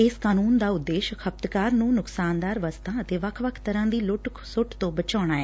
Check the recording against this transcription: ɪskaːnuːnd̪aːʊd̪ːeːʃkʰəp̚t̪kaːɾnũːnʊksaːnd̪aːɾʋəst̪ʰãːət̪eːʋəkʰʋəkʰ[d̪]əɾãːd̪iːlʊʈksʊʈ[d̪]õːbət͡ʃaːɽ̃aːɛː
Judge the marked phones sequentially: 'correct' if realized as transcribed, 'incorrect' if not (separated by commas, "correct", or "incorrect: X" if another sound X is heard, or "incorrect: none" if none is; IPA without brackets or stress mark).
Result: incorrect: t̪, incorrect: t̪